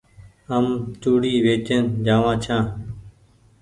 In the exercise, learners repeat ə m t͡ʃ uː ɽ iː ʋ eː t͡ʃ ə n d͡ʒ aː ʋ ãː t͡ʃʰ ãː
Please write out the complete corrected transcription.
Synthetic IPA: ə m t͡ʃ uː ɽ iː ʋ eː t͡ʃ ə n d͡ʒ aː ʋ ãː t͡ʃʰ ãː